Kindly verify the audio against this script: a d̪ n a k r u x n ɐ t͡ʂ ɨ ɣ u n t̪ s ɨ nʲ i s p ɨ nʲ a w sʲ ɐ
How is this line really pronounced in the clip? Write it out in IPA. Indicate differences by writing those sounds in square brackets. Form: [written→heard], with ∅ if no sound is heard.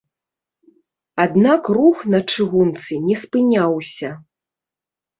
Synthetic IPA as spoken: a d̪ n a k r u x n ɐ t͡ʂ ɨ ɣ u n t̪ s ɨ nʲ [i→ɛ] s p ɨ nʲ a w sʲ ɐ